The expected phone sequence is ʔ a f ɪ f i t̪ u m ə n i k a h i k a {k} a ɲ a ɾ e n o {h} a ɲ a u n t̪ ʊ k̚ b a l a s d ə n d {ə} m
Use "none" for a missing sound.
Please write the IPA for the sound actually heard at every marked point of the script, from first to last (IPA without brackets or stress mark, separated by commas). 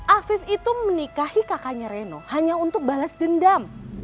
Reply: k, h, a